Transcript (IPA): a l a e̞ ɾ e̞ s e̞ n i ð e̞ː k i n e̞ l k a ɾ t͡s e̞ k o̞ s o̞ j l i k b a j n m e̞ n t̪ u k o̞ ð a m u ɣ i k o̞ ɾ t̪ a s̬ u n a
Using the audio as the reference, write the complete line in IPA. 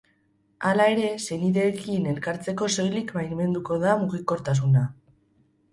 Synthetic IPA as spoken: a l a e̞ ɾ e̞ s e̞ n i ð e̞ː k i n e̞ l k a ɾ t͡s e̞ k o̞ s o̞ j l i k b a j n m e̞ n d̪ u k o̞ ð a m u ɣ i k o̞ ɾ t̪ a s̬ u n a